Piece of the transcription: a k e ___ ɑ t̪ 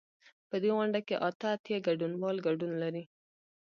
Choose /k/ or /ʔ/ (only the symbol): ʔ